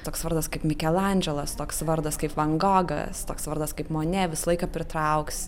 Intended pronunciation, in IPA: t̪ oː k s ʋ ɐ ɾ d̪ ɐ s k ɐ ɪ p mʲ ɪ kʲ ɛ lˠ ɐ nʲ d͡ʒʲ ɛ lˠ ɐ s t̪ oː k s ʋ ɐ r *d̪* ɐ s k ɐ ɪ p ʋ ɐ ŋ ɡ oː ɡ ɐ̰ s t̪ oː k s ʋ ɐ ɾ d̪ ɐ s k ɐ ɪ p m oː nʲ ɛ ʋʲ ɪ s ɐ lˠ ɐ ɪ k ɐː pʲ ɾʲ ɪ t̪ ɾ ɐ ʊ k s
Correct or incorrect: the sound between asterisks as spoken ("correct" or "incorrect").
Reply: correct